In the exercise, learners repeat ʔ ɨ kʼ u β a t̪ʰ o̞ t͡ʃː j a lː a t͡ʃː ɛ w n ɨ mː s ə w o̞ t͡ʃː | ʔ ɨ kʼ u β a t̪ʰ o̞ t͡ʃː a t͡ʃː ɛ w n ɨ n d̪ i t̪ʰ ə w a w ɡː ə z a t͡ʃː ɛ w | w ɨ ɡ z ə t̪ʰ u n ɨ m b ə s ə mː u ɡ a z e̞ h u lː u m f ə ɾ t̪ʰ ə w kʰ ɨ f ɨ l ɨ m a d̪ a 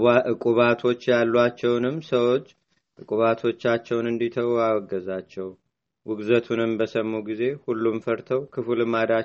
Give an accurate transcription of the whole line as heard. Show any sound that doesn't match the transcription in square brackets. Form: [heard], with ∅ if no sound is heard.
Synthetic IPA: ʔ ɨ kʼ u β a t̪ʰ o̞ t͡ʃː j a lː a t͡ʃː ɛ w n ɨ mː s ə w o̞ t͡ʃː | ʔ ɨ kʼ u β a t̪ʰ o̞ t͡ʃː a t͡ʃː ɛ w n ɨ n d̪ i t̪ʰ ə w a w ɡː ə z a t͡ʃː ɛ w | w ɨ ɡ z ə t̪ʰ u n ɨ m b ə s ə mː u ɡ [i] z e̞ h u lː u m f ə ɾ t̪ʰ ə w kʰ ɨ f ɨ l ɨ m a d̪ a